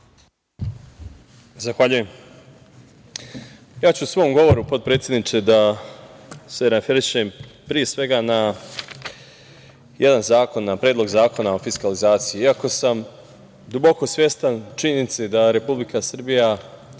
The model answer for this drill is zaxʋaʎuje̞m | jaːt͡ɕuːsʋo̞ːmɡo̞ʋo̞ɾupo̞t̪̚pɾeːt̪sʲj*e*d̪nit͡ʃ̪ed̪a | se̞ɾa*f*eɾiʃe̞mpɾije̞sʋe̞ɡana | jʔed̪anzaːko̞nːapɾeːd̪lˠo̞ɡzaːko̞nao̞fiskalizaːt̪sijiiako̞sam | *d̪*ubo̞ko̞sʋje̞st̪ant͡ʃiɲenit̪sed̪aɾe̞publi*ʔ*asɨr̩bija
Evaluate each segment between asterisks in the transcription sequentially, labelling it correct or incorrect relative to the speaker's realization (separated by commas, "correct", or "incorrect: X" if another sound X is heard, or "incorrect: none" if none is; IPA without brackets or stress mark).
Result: correct, correct, correct, incorrect: k